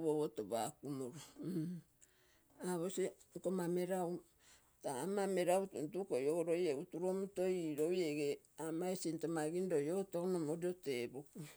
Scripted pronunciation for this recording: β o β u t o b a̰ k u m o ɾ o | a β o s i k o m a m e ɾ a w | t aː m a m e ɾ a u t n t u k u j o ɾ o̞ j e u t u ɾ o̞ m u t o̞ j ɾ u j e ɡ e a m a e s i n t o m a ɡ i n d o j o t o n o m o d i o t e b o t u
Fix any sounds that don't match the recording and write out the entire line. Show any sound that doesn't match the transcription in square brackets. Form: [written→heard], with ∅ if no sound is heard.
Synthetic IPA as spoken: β o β [u→o] t o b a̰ k u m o ɾ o | a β o s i k o m a m e ɾ a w | t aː m a m e ɾ a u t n t u k [u→o] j o ɾ o̞ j e u t u ɾ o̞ m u t o̞ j ɾ [u→o] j e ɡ e a m a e s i n t o m a ɡ i n d o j o t o n o m o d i o t e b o [t→k] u